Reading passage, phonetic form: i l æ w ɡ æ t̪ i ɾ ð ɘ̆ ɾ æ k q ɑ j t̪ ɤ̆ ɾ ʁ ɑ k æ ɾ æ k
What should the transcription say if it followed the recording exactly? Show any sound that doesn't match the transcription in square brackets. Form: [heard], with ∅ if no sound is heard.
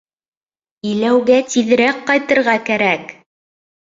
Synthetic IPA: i l æ w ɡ æ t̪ i [∅] ð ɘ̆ ɾ æ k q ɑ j t̪ ɤ̆ ɾ ʁ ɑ k æ ɾ æ k